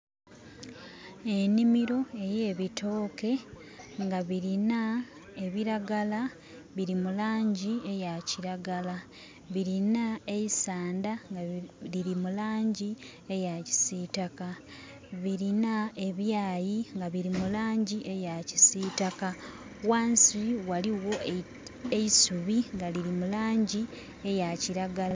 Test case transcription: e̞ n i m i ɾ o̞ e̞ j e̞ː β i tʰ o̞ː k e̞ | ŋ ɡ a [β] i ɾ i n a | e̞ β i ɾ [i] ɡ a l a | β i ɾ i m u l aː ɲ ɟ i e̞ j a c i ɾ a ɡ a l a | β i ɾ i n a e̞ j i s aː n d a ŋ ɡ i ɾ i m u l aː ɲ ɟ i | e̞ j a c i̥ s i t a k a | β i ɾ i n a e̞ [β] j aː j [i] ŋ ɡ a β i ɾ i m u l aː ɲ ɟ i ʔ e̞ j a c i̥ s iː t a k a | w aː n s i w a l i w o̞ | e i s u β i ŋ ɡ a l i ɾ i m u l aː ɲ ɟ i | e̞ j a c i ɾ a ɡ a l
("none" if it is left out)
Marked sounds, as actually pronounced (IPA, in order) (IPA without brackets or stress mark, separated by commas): β, a, β, i